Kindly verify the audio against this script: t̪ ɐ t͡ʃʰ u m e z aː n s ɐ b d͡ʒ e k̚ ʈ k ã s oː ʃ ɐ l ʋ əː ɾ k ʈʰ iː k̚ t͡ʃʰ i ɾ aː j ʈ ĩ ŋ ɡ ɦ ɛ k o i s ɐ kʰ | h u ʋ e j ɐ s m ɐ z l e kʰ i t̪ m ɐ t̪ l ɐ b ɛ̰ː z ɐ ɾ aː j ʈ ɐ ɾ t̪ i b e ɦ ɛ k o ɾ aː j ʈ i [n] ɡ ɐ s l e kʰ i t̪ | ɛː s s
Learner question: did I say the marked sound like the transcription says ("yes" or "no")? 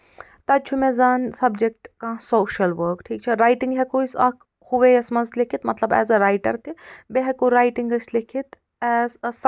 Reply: no